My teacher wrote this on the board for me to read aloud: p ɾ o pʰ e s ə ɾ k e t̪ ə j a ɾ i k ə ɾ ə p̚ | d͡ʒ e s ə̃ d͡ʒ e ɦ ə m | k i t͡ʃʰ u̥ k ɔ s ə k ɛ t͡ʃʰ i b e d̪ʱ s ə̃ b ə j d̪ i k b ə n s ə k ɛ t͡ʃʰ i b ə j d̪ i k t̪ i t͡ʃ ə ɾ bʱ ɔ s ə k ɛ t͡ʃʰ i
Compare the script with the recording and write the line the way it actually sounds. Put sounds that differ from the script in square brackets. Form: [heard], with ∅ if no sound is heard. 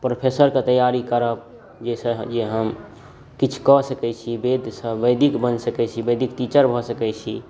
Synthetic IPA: p ɾ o pʰ e s ə ɾ k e t̪ ə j a ɾ i k ə ɾ ə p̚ | d͡ʒ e s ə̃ d͡ʒ e ɦ ə m | k i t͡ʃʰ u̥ k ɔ s ə k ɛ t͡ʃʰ i b e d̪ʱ s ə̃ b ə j d̪ i k b ə n s ə k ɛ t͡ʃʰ i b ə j d̪ i k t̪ i t͡ʃ ə ɾ bʱ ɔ s ə k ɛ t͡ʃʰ i